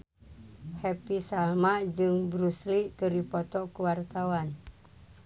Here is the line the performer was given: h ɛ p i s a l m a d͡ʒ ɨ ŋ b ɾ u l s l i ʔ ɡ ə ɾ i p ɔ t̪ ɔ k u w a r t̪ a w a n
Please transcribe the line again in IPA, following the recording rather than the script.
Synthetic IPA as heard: h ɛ p i s a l m a d͡ʒ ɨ ŋ b ɾ u s l i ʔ k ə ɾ i p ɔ t̪ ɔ k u w a r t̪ a w a n